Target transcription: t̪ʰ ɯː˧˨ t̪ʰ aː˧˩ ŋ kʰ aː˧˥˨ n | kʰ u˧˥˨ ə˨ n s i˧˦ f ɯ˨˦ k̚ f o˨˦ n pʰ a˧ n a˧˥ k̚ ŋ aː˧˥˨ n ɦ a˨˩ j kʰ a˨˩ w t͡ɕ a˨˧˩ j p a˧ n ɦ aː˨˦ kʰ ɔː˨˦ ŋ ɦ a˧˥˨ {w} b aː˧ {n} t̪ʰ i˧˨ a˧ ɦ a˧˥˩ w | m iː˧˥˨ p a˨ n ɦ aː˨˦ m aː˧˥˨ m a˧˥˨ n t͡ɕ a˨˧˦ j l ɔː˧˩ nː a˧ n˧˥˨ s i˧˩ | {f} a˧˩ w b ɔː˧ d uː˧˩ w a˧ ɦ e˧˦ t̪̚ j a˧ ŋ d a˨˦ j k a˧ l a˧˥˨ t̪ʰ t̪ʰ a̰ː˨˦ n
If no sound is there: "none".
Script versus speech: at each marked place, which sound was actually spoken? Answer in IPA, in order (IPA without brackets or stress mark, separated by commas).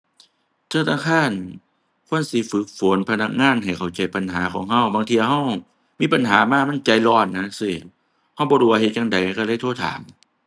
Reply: w, ŋ, h